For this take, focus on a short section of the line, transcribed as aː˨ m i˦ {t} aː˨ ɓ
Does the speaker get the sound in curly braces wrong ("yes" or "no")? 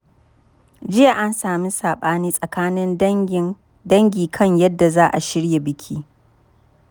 yes